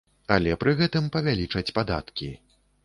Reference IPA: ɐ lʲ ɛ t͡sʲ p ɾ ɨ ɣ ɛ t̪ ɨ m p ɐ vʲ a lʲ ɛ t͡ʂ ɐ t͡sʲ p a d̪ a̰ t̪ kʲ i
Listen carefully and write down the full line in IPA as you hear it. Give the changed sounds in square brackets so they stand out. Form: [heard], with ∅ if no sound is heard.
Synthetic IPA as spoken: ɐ lʲ ɛ [∅] p ɾ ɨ ɣ ɛ t̪ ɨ m p ɐ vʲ a lʲ [i] t͡ʂ ɐ t͡sʲ p a d̪ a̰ t̪ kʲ i